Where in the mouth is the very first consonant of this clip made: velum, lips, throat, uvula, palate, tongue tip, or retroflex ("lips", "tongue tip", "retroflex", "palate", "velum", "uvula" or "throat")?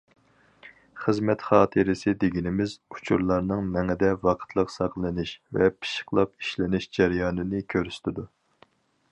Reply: uvula